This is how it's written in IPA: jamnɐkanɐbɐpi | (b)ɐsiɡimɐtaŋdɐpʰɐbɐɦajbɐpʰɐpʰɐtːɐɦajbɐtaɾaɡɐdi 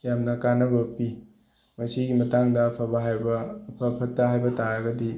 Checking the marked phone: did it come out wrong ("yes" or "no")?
yes